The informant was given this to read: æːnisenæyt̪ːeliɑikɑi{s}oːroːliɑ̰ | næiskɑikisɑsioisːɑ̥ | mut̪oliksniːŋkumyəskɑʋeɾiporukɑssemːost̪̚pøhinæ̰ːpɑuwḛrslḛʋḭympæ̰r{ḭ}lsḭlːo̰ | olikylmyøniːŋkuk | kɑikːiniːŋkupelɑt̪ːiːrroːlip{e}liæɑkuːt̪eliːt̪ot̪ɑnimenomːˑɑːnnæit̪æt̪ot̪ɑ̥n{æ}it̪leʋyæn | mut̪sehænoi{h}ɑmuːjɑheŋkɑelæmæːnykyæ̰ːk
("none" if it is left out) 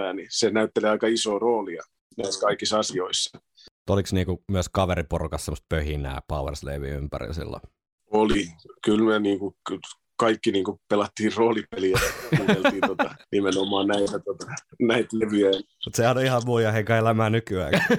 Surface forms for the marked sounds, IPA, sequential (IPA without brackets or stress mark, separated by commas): s, ḭ, e, æ, h